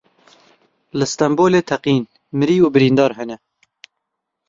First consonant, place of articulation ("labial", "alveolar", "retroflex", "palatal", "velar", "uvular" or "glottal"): alveolar